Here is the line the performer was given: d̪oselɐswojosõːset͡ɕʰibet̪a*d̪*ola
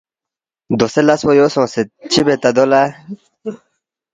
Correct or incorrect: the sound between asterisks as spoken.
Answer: correct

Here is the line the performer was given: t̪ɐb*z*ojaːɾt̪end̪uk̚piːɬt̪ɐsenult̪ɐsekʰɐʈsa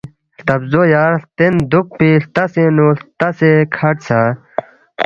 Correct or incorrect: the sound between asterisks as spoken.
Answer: correct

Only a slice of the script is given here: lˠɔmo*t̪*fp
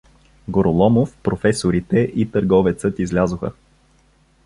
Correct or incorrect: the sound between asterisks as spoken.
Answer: incorrect: none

